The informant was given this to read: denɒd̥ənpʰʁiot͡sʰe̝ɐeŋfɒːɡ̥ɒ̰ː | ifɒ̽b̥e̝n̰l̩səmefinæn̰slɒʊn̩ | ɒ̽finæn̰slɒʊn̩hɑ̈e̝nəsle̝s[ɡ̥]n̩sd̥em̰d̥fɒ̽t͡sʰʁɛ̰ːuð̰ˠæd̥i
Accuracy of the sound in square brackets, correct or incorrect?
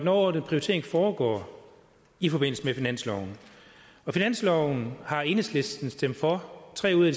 incorrect